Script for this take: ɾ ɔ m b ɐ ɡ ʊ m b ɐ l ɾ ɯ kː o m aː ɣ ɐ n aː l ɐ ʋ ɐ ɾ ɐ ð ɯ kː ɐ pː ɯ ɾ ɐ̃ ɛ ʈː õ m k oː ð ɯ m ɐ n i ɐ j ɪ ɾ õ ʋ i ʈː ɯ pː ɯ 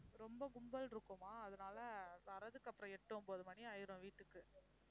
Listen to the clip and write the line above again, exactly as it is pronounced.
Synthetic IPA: ɾ ɔ m b ɐ ɡ ʊ m b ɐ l ɾ ɯ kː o m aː ð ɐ n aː l ɐ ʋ ɐ ɾ ɐ ð ɯ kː ɐ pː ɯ ɾ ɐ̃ ɛ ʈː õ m p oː ð ɯ m ɐ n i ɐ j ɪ ɾ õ ʋ iː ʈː ɯ kː ɯ

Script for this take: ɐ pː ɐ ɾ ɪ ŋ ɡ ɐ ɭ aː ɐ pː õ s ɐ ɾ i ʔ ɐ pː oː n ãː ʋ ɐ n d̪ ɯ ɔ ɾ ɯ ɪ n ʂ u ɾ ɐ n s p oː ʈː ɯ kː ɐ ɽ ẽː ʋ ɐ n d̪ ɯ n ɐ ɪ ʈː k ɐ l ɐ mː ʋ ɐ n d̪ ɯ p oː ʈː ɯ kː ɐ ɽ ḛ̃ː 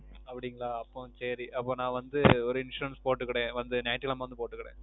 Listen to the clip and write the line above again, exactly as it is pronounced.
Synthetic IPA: ɐ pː ɐ ɽ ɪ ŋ ɡ ɐ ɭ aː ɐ pː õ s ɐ ɾ i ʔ ɐ pː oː n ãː ʋ ɐ n d̪ ɯ ɔ ɾ ɯ ɪ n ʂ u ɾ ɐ n s p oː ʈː ɯ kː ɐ ɽ ẽː ʋ ɐ n d̪ ɯ n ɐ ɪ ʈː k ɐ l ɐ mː ʋ ɐ n d̪ ɯ p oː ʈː ɯ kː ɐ ɽ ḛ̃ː

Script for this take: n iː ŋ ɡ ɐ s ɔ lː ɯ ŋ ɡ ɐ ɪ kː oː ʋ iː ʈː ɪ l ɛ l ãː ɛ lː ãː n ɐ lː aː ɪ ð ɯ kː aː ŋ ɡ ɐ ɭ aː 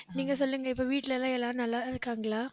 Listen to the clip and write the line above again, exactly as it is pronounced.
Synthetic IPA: n iː ŋ ɡ ɐ s ɔ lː ɯ ŋ ɡ ɐ ɪ pː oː ʋ iː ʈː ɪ l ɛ l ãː ɛ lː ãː n ɐ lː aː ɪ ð ɯ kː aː ŋ ɡ ɐ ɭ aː

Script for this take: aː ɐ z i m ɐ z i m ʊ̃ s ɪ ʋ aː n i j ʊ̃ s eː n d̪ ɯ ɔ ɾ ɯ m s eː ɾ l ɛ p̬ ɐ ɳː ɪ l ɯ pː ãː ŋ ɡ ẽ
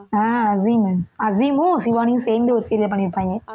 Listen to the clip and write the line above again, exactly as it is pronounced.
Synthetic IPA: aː ɐ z i m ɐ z i m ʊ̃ s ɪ ʋ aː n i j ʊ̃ s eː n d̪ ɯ ɔ ɾ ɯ s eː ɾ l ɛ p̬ ɐ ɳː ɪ ɾ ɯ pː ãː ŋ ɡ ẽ

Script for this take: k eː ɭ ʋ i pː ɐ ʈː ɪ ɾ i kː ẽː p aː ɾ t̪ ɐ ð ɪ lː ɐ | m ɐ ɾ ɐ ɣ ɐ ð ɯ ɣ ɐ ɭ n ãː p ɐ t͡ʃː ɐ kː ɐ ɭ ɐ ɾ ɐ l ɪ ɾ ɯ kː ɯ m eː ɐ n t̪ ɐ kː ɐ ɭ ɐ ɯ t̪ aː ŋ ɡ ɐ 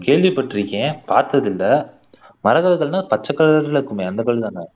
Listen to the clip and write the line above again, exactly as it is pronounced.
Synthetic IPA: k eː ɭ ʋ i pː ɐ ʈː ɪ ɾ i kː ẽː p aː ɾ t̪ ɐ ð ɪ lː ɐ | m ɐ ɾ ɐ ɣ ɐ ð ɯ ɣ ɐ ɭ n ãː p ɐ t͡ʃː ɐ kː ɐ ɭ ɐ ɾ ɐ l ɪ ɾ ɯ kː ɯ m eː ɐ n d̪ ɐ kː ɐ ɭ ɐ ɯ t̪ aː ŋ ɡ ɐ

